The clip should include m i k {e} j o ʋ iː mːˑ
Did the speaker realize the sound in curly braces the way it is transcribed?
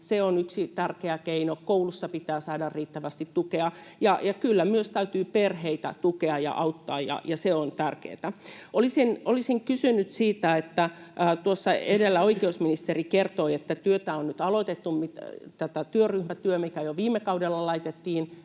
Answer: no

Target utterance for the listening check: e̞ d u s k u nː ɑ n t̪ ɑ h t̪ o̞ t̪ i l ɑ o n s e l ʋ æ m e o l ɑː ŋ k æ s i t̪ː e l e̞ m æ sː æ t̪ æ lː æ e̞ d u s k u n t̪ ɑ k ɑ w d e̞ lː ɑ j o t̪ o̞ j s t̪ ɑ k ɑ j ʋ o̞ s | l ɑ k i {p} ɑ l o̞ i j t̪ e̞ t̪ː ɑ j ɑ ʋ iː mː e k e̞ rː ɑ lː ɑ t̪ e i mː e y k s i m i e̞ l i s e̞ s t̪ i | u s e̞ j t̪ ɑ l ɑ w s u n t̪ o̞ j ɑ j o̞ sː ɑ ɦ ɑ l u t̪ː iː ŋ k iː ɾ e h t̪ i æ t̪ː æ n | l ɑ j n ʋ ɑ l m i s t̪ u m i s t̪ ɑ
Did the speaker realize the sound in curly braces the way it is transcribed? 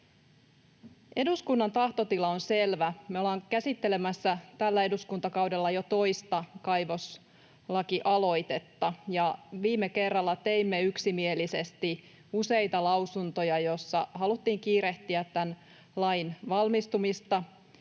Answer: no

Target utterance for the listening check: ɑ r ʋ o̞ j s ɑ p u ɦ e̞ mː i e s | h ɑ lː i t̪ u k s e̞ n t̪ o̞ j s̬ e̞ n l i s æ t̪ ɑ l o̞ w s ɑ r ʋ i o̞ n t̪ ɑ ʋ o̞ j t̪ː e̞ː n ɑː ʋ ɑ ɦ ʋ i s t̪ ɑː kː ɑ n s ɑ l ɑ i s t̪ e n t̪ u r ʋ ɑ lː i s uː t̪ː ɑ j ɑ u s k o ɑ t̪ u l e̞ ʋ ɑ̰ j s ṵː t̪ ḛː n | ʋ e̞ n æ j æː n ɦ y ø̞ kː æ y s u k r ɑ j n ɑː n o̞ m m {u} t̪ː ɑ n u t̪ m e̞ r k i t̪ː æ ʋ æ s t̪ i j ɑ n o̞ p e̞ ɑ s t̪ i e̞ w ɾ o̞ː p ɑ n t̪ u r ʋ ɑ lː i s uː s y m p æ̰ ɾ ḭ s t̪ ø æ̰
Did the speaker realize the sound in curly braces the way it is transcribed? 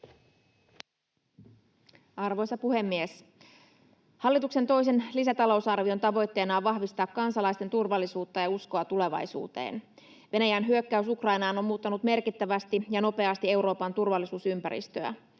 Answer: no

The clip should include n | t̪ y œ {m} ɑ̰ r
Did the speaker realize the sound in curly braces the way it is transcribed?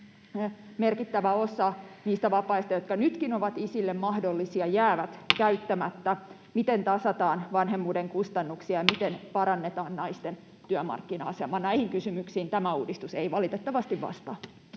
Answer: yes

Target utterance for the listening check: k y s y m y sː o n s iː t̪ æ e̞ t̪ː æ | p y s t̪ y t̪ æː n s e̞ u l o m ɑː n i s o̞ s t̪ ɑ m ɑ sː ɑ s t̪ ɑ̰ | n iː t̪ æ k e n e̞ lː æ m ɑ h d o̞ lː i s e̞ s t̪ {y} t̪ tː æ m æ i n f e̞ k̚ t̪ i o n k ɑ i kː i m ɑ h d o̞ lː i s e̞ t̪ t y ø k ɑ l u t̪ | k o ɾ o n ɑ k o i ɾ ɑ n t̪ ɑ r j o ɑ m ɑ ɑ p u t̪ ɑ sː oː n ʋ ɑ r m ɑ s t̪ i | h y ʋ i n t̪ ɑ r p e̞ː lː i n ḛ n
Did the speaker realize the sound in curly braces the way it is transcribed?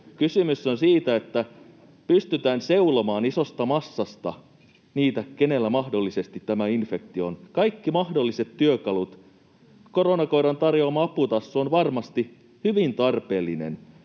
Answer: no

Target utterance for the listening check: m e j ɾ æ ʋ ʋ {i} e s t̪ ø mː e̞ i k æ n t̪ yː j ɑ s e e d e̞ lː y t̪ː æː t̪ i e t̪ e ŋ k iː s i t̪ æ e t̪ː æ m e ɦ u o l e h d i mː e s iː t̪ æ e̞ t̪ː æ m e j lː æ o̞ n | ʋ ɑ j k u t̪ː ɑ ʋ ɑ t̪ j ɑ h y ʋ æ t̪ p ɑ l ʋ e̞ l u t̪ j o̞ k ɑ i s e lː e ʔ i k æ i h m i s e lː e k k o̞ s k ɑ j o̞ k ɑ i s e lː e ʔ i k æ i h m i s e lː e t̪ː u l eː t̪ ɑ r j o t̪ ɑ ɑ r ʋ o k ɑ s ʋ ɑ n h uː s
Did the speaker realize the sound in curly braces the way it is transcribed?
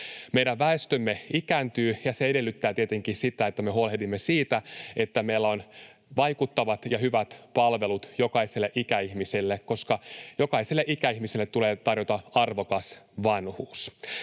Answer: no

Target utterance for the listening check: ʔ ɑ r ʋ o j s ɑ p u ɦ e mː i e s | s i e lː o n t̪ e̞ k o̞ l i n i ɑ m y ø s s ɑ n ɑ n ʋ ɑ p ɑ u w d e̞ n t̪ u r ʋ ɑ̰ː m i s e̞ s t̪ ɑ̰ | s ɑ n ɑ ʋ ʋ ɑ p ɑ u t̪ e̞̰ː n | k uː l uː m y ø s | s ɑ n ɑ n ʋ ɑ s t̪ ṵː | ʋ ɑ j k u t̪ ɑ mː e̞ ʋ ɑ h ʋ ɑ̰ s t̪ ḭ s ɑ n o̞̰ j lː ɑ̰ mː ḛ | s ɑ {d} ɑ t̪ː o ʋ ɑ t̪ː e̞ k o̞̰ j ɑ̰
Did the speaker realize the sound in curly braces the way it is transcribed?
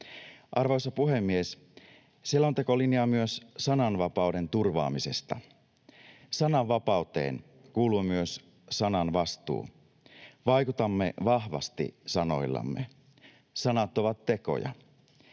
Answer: no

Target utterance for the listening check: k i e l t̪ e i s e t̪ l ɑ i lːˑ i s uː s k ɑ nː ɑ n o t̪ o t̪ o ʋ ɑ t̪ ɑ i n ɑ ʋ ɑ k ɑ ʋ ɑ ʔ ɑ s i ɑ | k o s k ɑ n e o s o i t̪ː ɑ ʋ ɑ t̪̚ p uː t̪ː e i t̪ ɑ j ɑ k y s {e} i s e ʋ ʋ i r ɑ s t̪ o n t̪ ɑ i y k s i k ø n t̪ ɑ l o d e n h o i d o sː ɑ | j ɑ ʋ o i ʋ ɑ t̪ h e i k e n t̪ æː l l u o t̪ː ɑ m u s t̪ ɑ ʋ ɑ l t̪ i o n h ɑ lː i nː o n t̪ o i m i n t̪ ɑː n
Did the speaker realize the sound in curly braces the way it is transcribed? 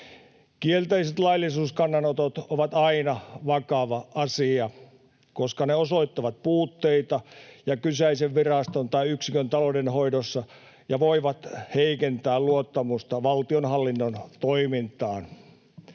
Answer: no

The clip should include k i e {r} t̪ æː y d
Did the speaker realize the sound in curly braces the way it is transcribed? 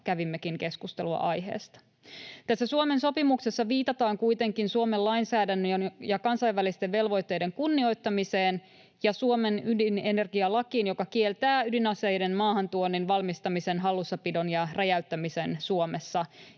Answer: no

